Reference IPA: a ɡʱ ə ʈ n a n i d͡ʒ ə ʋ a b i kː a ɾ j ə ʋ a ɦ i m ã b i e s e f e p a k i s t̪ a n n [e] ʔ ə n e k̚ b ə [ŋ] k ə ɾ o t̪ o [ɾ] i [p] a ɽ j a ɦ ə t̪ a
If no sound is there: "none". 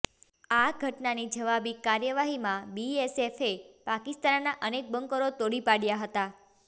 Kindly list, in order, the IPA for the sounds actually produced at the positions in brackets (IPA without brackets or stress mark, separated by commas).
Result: a, ŋ, ɽ, p